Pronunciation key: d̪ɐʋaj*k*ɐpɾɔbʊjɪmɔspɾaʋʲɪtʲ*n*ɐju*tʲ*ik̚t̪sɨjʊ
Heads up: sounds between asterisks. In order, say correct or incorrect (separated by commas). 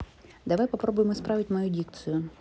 incorrect, incorrect, incorrect